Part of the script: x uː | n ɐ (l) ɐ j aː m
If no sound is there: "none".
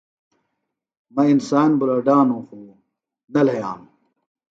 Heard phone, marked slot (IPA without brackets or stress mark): l